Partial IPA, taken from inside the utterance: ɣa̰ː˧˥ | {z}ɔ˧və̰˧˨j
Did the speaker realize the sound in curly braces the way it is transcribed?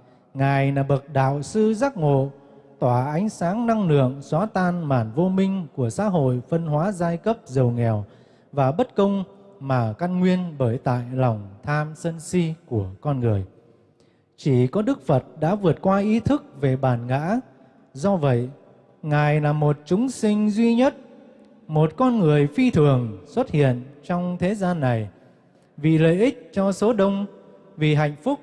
yes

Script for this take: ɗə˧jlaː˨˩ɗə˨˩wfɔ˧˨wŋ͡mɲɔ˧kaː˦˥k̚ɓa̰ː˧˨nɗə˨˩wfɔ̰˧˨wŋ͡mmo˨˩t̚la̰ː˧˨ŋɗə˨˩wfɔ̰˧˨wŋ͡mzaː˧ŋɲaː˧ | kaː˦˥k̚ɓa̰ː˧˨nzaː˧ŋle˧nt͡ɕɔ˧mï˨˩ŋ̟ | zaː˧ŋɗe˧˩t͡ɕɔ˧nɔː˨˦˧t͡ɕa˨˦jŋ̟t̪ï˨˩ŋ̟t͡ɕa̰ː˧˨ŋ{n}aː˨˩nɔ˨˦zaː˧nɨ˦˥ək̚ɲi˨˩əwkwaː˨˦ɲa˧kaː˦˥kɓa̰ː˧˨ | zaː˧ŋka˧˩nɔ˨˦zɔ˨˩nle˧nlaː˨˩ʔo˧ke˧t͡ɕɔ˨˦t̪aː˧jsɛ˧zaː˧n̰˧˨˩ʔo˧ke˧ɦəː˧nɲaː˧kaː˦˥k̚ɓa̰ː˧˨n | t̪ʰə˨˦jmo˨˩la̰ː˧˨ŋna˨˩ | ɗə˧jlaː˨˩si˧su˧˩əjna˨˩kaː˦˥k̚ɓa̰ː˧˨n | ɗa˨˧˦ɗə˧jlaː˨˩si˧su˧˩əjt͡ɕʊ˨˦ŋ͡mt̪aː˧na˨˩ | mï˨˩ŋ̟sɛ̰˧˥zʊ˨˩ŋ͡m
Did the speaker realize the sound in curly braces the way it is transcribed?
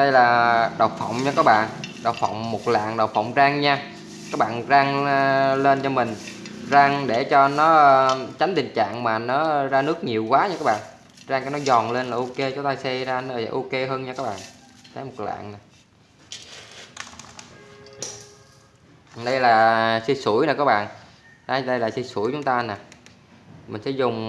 no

